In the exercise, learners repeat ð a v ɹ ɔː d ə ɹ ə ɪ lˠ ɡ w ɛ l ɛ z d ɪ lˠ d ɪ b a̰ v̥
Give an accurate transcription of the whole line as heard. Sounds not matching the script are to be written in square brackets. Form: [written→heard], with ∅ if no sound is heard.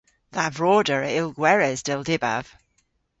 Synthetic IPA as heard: ð a v ɹ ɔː d ə ɹ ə ɪ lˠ ɡ w ɛ [l→ɹ] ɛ z d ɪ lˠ d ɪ b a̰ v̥